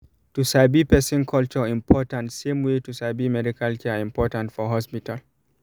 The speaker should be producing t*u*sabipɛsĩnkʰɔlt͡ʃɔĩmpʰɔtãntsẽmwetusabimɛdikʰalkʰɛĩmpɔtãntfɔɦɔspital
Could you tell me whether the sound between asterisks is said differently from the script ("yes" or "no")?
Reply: no